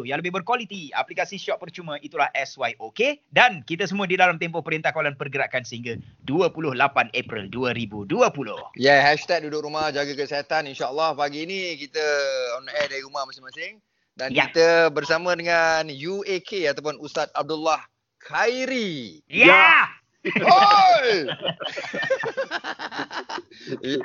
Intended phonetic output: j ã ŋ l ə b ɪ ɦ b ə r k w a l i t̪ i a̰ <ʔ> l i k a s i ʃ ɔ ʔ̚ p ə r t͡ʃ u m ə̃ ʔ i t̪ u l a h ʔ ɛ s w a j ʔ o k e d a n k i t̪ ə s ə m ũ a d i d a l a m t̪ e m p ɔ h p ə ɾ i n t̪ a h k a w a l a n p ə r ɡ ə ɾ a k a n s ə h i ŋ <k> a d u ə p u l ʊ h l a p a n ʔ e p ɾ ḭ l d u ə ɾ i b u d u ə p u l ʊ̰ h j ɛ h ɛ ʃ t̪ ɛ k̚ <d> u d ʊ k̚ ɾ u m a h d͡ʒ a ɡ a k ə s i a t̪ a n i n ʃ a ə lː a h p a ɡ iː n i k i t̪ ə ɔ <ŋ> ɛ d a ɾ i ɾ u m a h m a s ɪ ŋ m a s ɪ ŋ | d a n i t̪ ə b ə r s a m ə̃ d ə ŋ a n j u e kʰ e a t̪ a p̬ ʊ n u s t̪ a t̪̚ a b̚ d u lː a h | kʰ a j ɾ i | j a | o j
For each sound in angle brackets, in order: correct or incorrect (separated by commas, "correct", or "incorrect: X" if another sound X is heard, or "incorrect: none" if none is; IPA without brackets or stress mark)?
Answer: incorrect: p, incorrect: ɡ, correct, incorrect: n